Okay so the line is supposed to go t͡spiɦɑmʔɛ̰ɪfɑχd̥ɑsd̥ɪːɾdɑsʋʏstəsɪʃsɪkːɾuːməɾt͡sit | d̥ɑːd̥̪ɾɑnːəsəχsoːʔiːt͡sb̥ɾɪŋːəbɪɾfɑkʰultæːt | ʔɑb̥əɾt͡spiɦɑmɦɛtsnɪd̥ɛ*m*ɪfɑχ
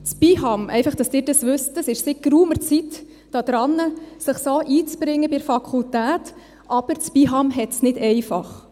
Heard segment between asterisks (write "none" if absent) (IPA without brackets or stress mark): none